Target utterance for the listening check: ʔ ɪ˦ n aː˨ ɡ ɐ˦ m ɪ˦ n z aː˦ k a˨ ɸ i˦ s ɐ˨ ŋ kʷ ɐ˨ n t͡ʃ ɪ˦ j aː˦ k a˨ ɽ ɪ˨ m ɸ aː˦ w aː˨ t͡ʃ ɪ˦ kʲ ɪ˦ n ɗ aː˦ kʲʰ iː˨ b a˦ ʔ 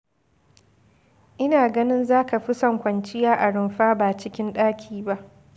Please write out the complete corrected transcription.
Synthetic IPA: ʔ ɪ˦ n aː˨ ɡ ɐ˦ n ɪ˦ n z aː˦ k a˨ ɸ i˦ s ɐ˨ ŋ kʷ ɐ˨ n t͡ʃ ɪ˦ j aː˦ ʔ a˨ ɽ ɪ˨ m ɸ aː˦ b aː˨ t͡ʃ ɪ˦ kʲ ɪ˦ n ɗ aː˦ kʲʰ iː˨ b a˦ ʔ

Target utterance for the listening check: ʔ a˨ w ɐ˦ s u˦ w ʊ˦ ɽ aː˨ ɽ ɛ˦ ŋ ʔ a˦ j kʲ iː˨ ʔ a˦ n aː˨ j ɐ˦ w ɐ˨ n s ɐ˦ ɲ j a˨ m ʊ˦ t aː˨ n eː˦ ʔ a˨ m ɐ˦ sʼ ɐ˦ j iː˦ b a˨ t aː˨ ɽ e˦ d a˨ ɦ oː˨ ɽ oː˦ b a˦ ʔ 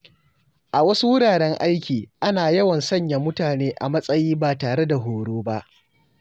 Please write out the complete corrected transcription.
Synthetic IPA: ʔ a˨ w ɐ˦ s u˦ w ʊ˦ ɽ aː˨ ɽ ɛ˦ ŋ ʔ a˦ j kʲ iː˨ ʔ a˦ n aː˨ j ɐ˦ w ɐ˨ n s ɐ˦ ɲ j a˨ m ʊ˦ t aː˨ n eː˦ ʔ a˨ m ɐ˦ sʼ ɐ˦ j iː˦ b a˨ t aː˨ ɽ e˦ d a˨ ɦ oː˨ ɽ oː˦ b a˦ ʔ

